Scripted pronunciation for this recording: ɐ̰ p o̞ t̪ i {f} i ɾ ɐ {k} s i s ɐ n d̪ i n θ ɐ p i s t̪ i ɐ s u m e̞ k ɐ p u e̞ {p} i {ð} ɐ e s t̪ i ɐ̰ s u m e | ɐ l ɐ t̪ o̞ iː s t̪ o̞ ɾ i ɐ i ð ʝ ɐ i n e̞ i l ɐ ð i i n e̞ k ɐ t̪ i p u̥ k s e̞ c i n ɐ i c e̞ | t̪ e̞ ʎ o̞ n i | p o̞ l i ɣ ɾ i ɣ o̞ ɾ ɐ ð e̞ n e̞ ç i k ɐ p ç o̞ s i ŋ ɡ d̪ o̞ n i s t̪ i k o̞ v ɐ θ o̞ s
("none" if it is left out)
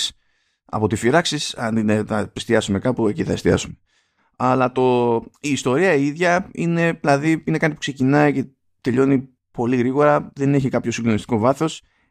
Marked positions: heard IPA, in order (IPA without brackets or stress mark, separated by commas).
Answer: f, k, c, θ